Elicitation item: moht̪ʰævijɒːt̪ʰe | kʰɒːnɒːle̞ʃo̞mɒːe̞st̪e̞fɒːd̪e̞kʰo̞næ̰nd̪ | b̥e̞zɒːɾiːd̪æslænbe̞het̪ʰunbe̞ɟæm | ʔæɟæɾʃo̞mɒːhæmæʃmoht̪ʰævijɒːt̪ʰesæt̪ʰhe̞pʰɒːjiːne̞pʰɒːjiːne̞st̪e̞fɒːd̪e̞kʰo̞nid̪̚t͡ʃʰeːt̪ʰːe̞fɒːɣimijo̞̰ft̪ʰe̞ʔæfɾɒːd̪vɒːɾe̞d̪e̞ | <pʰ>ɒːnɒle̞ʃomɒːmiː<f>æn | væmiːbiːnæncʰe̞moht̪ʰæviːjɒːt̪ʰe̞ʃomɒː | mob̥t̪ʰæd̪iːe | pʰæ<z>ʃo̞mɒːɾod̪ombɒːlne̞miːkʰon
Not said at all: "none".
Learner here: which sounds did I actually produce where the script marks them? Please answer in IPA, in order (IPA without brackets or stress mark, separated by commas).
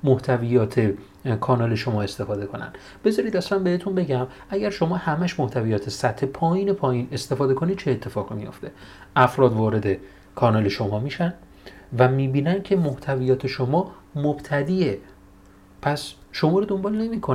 kʰ, ʃ, s